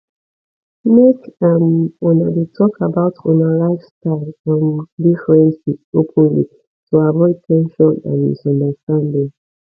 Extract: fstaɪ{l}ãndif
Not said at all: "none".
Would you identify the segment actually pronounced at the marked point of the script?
l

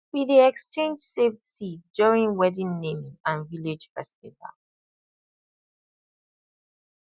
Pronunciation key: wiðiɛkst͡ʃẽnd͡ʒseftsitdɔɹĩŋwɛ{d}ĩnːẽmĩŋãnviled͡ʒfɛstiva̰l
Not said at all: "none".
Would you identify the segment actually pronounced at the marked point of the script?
d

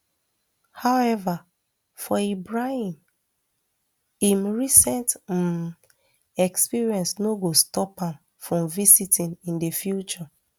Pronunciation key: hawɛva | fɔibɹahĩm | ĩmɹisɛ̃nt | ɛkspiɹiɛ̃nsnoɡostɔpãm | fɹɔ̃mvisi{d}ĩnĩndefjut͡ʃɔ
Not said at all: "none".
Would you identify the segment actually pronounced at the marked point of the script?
t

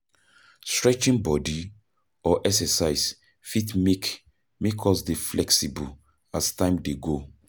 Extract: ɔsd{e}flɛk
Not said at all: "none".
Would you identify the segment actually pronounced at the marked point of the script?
e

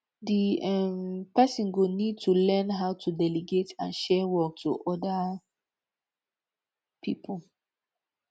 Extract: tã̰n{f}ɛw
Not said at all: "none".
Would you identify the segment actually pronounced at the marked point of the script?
ʃ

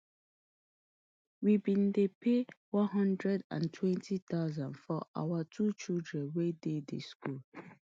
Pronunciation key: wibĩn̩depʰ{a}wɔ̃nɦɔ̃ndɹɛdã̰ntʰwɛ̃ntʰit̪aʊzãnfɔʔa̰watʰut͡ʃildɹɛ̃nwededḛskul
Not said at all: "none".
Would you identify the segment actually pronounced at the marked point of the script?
e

